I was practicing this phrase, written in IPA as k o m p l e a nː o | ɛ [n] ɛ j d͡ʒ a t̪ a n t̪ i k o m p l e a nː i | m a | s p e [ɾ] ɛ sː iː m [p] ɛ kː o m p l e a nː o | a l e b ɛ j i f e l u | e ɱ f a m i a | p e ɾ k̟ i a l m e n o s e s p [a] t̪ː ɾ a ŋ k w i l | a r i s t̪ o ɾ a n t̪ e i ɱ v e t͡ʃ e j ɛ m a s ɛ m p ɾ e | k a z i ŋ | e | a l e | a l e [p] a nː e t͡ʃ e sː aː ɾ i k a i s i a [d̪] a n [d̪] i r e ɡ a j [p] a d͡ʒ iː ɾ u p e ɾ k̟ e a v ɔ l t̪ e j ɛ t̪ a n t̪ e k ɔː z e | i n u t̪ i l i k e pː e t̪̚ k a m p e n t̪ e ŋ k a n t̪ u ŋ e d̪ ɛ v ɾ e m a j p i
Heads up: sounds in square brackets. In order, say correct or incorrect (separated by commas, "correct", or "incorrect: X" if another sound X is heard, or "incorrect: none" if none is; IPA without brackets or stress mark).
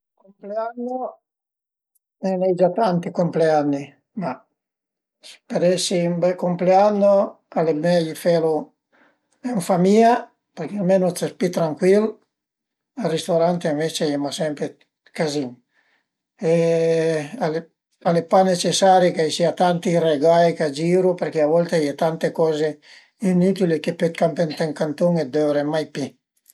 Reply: correct, correct, incorrect: b, incorrect: i, correct, incorrect: t̪, incorrect: t̪, incorrect: k